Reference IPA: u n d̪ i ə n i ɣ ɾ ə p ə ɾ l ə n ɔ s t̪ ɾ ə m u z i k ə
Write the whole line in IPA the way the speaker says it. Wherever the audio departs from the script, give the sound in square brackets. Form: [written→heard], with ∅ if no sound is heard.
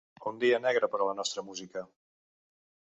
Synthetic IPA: u n d̪ i ə n [i→ɛ] ɣ ɾ ə p ə ɾ l ə n ɔ s t̪ ɾ ə m u z i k ə